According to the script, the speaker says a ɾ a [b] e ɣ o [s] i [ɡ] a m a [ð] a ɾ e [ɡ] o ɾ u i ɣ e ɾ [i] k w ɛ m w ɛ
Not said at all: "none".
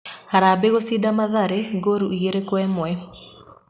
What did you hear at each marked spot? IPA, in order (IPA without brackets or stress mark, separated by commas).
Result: b, s, d, ð, ɡ, e